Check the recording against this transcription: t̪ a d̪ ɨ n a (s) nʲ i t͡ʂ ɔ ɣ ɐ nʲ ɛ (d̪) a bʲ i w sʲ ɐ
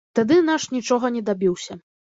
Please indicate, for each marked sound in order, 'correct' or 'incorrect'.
incorrect: ʂ, correct

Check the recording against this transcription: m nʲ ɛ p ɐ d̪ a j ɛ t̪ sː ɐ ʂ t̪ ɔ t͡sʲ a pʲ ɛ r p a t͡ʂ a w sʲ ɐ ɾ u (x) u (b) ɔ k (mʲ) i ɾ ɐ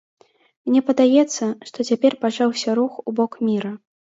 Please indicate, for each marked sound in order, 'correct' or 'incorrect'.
correct, correct, correct

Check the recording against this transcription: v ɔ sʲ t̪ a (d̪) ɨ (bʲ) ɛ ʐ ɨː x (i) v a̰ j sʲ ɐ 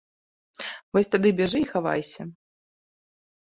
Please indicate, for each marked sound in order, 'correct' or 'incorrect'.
correct, correct, incorrect: a

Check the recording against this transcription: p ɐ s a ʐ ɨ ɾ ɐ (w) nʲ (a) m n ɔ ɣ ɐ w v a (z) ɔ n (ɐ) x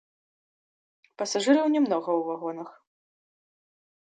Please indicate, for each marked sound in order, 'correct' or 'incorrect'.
correct, incorrect: ɛ, incorrect: ɣ, correct

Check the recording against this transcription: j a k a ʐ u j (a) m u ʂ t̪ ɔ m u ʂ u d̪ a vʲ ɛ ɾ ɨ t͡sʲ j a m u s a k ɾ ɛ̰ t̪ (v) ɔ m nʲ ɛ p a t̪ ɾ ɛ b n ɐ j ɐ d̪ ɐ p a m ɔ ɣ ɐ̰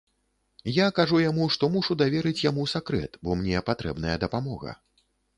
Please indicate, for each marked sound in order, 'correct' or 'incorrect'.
correct, incorrect: b

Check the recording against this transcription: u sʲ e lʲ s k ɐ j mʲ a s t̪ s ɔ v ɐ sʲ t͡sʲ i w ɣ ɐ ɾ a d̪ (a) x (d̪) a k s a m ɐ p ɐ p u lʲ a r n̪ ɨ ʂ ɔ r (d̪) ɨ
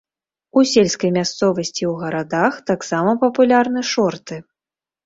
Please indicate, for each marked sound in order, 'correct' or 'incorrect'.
correct, incorrect: t̪, incorrect: t̪

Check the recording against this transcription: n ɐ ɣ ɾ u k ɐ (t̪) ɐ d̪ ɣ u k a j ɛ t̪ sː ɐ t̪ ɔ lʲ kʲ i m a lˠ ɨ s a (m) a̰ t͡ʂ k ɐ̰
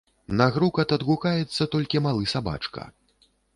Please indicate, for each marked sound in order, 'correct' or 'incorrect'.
correct, incorrect: b

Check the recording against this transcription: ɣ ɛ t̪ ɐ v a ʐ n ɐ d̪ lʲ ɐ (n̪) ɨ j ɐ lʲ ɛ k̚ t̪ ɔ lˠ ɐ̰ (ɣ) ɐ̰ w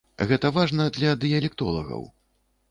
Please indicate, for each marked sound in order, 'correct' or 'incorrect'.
incorrect: d̪, correct

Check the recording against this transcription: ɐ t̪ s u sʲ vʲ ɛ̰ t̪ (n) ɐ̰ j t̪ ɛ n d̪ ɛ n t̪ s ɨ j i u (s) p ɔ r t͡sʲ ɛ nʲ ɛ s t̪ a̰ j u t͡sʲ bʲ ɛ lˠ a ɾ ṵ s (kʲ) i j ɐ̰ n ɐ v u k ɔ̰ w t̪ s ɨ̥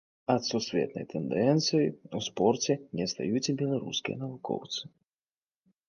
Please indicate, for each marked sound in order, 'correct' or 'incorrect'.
correct, correct, correct

